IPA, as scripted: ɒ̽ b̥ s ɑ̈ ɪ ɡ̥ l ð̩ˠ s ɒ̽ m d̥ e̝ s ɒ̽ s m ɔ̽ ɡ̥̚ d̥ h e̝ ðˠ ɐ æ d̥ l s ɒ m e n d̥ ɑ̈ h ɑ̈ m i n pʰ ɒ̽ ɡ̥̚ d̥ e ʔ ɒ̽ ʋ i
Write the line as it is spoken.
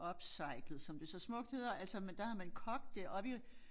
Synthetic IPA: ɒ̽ b̥ s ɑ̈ ɪ ɡ̥ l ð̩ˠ s ɒ̽ m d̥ e̝ s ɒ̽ s m ɔ̽ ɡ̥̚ d̥ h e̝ ðˠ ɐ æ l s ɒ m e n d̥ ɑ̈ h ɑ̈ m æ n kʰ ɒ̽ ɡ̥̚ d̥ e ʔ ɒ̽ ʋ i